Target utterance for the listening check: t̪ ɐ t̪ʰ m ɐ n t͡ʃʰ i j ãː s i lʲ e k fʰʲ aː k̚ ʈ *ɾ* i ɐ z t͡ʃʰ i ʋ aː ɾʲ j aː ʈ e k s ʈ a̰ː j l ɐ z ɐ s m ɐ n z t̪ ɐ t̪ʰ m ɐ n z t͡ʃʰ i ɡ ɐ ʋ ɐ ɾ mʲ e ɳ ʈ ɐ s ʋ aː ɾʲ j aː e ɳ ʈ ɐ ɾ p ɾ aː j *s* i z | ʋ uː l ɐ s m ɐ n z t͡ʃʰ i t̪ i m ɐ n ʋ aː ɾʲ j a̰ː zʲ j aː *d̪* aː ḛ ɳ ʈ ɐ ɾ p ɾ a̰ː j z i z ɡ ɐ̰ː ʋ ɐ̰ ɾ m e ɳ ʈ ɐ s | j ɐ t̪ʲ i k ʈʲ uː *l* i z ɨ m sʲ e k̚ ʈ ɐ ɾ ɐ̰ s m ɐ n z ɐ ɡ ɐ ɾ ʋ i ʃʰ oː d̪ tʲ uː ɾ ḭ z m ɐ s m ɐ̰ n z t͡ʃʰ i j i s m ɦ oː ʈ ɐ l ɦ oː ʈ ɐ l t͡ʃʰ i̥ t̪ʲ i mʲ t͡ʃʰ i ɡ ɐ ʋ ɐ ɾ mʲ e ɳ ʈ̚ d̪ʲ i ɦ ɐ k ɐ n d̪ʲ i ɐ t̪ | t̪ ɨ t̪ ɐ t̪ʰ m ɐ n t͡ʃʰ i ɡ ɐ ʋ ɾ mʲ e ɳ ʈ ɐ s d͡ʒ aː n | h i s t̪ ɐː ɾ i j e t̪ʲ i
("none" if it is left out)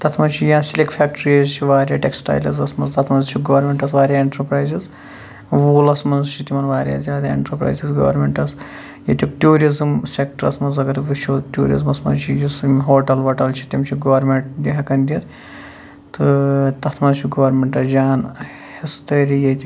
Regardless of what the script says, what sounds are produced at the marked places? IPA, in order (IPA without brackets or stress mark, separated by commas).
ɾ, z, d̪, ɾ